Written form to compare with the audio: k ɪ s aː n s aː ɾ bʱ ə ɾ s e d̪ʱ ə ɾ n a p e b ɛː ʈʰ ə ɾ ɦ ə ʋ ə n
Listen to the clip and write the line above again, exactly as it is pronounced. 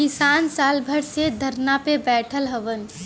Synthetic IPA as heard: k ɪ s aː n s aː l bʱ ə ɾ s e d̪ʱ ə ɾ n a p e b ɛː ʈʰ ə l ɦ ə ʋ ə n